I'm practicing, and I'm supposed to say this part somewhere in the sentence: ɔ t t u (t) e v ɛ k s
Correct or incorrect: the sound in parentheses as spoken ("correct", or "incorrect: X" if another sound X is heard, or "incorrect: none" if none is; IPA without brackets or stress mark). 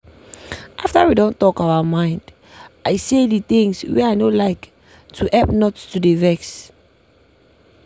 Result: incorrect: d